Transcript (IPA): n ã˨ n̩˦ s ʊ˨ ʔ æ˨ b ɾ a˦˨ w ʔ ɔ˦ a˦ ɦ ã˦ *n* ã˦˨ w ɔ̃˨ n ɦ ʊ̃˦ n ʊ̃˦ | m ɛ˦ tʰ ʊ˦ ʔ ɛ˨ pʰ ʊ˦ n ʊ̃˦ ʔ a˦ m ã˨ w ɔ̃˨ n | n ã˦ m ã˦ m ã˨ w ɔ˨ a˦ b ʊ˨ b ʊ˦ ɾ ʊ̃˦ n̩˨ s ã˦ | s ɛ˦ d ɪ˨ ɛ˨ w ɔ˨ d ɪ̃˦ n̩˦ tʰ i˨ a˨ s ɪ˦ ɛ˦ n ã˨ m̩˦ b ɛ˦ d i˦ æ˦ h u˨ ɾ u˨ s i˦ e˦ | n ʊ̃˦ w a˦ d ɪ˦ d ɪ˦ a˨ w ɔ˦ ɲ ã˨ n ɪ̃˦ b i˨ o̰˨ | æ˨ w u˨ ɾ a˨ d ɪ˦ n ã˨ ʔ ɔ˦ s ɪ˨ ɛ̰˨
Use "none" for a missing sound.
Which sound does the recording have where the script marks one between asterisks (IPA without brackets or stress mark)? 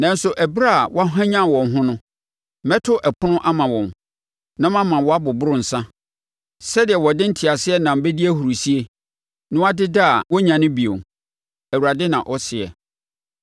ɲ